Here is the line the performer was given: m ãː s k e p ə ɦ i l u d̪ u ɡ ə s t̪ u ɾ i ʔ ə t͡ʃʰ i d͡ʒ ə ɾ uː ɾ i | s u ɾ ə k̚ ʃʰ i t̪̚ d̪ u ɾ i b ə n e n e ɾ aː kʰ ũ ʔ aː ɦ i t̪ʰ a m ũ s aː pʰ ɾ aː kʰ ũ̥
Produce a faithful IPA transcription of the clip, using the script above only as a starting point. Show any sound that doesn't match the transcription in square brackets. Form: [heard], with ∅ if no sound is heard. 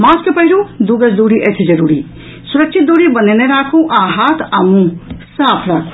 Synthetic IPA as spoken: m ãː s k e p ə ɦ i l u d̪ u ɡ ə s [d̪] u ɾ i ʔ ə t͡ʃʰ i d͡ʒ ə ɾ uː ɾ i | s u ɾ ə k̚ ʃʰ i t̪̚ d̪ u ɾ i b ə n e n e ɾ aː kʰ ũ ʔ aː ɦ [a] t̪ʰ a m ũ s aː pʰ ɾ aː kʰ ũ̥